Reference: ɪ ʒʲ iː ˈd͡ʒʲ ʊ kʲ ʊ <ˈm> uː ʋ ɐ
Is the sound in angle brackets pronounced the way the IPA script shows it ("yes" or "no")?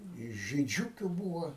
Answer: no